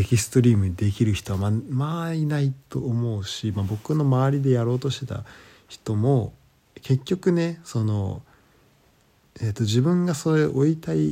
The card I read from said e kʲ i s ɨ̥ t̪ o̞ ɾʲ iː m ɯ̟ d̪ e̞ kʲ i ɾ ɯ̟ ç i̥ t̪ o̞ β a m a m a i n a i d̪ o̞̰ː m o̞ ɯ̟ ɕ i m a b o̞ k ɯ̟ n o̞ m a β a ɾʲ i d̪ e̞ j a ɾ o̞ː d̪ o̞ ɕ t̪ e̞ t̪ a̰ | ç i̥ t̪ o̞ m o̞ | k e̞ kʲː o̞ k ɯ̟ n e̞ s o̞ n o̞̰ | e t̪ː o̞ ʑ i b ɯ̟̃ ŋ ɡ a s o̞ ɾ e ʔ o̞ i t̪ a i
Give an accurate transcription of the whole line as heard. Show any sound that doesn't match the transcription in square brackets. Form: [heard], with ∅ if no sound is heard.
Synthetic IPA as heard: e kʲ i s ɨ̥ t̪ o̞ ɾʲ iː m ɯ̟ d̪ e̞ kʲ i ɾ ɯ̟ ç i̥ t̪ o̞ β a m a m a i n a i [t̪] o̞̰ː m o̞ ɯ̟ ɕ i m a b o̞ k ɯ̟ n o̞ m a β a ɾʲ i d̪ e̞ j a ɾ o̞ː [t̪] o̞ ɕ t̪ e̞ t̪ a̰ | ç i̥ t̪ o̞ m o̞ | k e̞ kʲː o̞ k ɯ̟ n e̞ s o̞ n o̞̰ | e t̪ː o̞ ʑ i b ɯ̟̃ ŋ ɡ a s o̞ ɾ e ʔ o̞ i t̪ a i